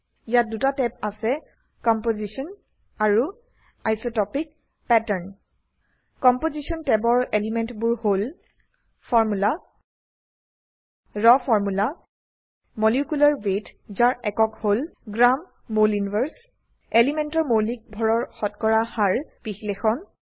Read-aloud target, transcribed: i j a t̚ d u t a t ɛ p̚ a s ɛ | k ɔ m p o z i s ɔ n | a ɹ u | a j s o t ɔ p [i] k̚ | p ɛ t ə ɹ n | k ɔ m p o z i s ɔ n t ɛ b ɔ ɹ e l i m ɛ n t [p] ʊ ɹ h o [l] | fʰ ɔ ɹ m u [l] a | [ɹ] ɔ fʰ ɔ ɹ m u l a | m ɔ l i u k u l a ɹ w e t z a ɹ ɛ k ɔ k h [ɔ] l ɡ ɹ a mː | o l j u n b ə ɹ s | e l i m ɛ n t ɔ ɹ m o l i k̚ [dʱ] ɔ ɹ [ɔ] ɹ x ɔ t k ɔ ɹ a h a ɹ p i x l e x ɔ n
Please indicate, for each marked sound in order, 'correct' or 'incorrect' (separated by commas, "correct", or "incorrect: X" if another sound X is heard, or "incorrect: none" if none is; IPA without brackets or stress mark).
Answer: correct, incorrect: b, correct, correct, correct, incorrect: o, incorrect: bʱ, correct